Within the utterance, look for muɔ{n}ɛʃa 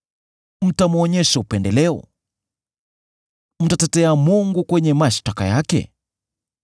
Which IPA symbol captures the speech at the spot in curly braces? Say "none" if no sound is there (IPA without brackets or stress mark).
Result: ɲ